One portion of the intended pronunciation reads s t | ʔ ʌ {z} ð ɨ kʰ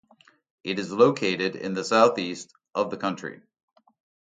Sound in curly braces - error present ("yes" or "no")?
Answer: yes